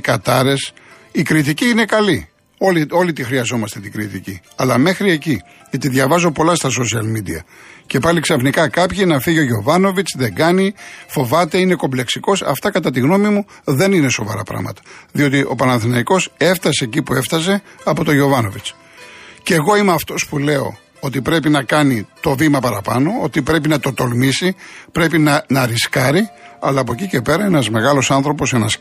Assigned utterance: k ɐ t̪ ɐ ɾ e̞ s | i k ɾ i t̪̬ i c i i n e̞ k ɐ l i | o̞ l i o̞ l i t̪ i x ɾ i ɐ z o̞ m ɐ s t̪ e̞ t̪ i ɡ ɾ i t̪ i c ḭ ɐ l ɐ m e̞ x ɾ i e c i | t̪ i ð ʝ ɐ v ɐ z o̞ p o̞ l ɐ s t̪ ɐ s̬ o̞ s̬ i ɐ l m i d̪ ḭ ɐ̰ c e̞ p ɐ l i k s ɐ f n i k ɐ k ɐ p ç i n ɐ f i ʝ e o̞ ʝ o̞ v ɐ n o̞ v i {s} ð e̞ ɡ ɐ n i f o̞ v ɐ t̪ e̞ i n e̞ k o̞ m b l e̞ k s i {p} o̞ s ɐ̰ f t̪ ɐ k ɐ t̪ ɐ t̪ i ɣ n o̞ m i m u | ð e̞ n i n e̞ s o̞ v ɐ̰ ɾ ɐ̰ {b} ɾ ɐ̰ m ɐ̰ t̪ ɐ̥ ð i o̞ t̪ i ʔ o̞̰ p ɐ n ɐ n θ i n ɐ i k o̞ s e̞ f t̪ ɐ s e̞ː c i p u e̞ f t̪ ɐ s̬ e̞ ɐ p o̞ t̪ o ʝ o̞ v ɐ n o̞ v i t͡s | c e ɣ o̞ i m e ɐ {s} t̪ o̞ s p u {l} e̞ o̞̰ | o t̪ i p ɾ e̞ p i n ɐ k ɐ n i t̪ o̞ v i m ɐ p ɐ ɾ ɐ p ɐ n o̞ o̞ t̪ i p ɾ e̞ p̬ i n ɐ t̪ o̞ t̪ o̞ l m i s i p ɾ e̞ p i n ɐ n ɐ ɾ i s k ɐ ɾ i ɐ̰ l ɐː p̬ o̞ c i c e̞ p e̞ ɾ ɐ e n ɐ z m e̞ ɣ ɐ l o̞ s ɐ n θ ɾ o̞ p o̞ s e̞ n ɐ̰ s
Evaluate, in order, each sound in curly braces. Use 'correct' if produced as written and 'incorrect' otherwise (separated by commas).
incorrect, incorrect, incorrect, incorrect, correct